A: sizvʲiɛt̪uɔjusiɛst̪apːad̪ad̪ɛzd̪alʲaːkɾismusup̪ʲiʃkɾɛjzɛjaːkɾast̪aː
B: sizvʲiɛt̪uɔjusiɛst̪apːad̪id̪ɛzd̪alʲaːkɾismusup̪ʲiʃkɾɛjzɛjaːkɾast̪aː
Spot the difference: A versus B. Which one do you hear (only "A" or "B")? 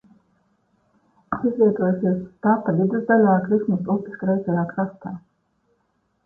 B